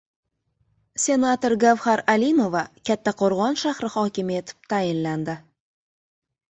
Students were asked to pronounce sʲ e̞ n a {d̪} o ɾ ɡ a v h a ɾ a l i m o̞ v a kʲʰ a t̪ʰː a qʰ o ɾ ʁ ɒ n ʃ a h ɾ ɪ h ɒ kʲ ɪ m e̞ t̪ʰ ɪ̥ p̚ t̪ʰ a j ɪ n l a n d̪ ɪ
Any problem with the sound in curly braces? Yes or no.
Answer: yes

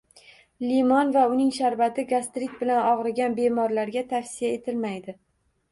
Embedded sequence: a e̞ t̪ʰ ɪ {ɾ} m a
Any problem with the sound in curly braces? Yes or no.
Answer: yes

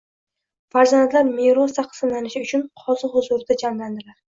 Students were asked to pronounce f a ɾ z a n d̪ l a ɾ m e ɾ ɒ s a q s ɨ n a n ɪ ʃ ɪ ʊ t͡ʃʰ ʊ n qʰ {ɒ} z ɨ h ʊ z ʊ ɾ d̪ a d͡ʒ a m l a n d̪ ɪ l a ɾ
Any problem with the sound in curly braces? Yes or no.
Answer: no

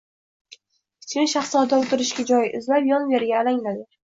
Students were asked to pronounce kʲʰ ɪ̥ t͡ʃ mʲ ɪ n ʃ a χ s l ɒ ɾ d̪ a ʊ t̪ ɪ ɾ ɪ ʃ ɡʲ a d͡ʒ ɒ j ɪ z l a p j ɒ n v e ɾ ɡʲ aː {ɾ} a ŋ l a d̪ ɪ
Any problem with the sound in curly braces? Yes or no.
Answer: yes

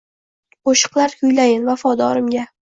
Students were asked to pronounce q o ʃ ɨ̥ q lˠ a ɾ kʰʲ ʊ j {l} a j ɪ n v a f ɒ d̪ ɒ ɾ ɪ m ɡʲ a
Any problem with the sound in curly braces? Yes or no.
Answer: no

